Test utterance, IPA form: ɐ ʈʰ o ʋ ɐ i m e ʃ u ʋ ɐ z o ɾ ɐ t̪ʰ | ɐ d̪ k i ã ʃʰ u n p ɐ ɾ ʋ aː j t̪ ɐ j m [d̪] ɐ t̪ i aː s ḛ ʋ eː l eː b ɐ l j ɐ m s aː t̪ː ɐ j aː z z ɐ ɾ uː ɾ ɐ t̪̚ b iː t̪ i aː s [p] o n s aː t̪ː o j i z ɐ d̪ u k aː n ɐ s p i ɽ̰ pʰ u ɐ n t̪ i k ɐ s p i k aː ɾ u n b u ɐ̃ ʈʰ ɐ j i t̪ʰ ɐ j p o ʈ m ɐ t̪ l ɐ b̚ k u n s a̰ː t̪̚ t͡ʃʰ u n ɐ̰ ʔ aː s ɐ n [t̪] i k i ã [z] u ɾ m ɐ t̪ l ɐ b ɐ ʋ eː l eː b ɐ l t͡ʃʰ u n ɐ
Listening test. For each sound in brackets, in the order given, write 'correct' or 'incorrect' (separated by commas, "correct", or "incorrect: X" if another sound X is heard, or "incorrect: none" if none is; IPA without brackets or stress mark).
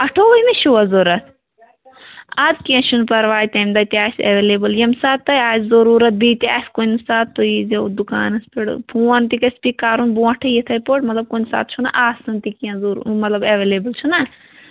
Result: correct, incorrect: k, correct, correct